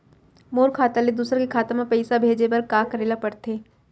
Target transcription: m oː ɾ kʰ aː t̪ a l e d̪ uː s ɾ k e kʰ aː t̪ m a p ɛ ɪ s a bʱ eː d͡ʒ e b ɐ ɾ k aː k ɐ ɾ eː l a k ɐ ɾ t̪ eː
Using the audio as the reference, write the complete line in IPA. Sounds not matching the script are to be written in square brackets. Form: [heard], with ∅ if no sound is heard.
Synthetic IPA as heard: m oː ɾ kʰ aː t̪ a l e d̪ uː s ɾ k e kʰ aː t̪ m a p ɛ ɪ s a bʱ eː d͡ʒ e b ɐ ɾ k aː k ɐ ɾ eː l a [p] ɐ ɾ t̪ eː